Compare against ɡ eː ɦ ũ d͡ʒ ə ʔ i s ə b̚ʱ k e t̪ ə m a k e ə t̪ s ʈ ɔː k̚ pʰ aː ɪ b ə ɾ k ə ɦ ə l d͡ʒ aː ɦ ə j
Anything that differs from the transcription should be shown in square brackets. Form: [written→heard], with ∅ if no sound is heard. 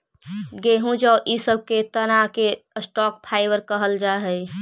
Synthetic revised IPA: ɡ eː ɦ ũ d͡ʒ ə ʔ i s ə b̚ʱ k e t̪ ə [m→n] a k e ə [t̪→∅] s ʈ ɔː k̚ pʰ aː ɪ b ə ɾ k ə ɦ ə l d͡ʒ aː ɦ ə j